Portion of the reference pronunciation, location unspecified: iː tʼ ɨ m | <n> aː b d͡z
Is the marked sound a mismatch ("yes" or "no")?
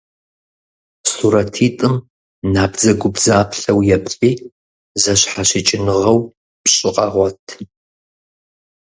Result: no